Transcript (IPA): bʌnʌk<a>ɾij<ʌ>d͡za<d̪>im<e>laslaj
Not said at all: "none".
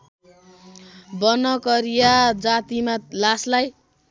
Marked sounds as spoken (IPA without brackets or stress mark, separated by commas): ʌ, a, t̪, a